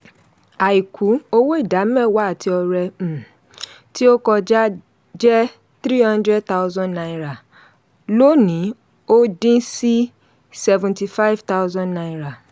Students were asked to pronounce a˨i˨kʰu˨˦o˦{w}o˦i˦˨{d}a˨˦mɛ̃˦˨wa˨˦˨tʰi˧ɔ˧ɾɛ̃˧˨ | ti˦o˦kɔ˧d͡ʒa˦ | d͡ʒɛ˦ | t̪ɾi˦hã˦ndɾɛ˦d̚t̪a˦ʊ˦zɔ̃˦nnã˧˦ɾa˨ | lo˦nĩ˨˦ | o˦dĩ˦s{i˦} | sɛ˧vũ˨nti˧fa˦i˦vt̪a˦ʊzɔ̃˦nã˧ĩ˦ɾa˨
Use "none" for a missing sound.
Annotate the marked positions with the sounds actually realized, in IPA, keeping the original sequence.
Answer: w, d, i˦

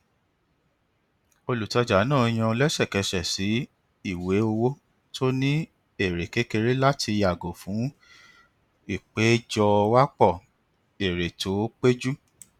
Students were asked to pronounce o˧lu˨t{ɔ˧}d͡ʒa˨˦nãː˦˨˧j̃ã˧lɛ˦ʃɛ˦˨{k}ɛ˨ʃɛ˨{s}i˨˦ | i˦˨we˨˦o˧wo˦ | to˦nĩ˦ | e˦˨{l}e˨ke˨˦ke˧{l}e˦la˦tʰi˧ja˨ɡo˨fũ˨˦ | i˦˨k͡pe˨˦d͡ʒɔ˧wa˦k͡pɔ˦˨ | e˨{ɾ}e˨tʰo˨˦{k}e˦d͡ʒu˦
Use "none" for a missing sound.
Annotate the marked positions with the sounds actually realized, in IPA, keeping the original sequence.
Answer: ɔ˧, k, s, ɾ, ɾ, ɾ, k͡p

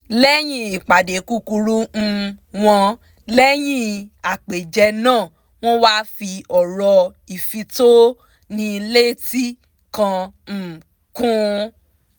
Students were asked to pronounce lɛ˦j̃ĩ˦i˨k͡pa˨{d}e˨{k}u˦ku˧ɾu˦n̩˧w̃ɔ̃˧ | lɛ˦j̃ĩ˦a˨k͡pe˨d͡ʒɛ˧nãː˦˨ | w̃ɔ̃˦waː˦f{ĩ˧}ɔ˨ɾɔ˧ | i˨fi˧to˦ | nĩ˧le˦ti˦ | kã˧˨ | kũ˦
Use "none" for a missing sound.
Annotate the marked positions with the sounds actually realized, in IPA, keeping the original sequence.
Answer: d, k, i˧

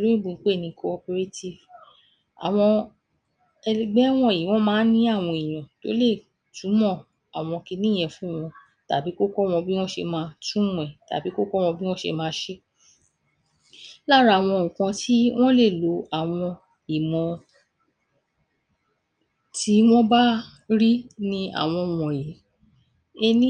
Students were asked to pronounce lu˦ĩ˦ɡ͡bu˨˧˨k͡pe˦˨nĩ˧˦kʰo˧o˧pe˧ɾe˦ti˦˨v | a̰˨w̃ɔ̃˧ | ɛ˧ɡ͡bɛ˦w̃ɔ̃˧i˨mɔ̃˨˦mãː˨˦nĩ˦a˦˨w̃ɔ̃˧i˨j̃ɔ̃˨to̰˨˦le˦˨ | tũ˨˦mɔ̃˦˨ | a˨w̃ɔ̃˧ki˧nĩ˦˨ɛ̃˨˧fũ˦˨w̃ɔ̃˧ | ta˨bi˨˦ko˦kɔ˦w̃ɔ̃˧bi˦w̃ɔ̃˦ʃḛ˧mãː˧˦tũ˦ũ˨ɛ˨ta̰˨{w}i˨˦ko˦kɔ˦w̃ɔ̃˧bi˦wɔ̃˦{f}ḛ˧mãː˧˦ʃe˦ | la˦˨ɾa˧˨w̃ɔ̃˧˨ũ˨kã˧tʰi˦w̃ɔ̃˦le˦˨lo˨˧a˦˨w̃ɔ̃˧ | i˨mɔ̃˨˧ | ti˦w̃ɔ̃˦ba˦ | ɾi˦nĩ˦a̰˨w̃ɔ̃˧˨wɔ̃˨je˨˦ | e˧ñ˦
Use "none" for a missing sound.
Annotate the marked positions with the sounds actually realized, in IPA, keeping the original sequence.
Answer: b, ʃ

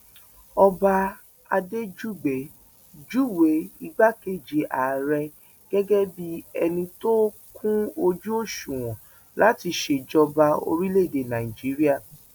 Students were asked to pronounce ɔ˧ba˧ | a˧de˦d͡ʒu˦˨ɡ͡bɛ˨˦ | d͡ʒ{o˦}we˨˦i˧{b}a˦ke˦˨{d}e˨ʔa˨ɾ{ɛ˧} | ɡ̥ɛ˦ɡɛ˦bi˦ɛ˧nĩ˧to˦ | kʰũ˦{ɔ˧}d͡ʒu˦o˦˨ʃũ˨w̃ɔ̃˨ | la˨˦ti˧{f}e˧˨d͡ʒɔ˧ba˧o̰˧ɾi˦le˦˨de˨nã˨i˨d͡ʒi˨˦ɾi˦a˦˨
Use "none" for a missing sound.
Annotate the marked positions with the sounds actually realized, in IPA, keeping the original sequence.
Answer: u˦, ɡ͡b, d͡ʒ, ɛ˧, o˧, ʃ

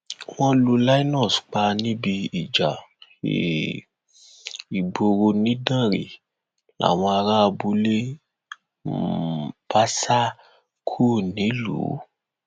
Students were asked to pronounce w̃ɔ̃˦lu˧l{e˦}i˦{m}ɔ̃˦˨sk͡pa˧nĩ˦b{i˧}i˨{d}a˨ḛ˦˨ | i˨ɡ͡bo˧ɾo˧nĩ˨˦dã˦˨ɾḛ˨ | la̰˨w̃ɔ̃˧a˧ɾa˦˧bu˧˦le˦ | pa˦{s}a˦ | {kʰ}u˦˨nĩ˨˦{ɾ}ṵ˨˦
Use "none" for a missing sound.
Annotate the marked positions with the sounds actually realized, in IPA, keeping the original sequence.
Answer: a˦, n, i˧, d͡ʒ, s, kʰ, l

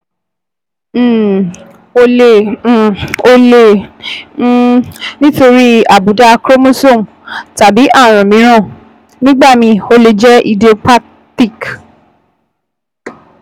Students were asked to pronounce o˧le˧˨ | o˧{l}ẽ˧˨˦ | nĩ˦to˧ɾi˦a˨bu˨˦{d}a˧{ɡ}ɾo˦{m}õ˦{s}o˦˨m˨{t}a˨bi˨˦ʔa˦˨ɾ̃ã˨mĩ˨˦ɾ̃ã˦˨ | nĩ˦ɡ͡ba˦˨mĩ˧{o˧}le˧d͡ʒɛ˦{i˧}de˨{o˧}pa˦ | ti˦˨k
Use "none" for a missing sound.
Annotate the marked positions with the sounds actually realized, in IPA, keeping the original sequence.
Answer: l, d, k, m, s, t, o˧, i˧, o˧

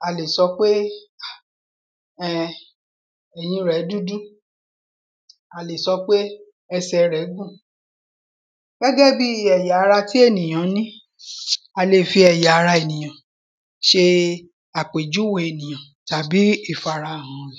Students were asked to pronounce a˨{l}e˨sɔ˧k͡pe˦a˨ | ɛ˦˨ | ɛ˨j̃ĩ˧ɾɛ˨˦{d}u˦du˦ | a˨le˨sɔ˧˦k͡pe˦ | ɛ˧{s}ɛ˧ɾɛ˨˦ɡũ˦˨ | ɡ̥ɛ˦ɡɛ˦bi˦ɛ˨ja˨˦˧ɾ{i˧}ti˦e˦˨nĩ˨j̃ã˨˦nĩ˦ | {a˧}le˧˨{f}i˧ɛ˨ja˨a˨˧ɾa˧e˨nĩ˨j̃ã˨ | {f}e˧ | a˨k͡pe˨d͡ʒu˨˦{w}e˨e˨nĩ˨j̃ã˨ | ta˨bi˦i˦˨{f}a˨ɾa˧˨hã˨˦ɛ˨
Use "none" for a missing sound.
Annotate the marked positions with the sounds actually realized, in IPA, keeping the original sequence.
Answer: l, d, s, a˧, a˧, f, ʃ, w, f

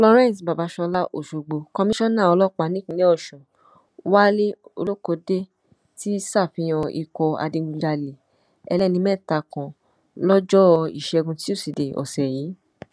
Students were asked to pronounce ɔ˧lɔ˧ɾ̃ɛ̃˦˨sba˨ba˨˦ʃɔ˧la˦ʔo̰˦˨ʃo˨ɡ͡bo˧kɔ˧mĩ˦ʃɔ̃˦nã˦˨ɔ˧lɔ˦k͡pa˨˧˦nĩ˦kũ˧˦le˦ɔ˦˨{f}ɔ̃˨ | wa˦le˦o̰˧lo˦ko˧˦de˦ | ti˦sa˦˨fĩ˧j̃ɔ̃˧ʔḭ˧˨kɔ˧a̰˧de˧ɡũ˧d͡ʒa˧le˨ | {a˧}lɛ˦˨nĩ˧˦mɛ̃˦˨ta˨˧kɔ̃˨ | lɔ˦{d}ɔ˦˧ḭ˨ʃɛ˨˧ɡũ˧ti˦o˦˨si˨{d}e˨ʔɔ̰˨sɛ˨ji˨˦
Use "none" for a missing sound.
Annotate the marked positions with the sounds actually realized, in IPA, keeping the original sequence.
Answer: ʃ, ɛ˧, d͡ʒ, d

